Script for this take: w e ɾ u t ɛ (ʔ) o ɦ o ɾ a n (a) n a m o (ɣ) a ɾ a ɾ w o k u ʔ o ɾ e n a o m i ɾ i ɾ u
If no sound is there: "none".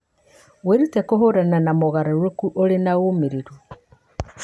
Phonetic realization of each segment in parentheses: k, a, ɣ

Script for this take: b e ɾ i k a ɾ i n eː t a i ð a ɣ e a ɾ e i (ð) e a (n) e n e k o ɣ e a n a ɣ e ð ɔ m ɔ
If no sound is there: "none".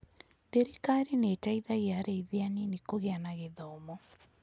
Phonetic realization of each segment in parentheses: ð, n

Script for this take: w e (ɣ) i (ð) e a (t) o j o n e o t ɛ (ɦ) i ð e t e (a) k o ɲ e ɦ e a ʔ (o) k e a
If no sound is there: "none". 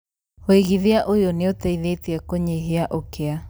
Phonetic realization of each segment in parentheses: ɣ, ð, ʔ, none, ɛ, o

